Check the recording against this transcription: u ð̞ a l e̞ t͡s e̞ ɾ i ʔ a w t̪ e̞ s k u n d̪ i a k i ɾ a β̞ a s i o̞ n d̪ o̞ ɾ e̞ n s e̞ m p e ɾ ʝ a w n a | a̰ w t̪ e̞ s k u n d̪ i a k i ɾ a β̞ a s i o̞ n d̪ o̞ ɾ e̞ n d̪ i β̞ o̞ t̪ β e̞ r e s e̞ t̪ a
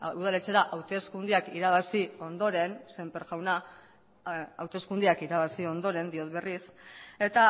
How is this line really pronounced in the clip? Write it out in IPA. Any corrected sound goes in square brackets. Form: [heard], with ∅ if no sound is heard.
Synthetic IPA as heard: u ð̞ a l e̞ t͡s e̞ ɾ [a] ʔ a w t̪ e̞ s k u n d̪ i a k i ɾ a β̞ a s i o̞ n d̪ o̞ ɾ e̞ n s e̞ m p e ɾ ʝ a w n a | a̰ w t̪ e̞ s k u n d̪ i a k i ɾ a β̞ a s i o̞ n d̪ o̞ ɾ e̞ n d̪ i [∅] o̞ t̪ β e̞ r [i] s e̞ t̪ a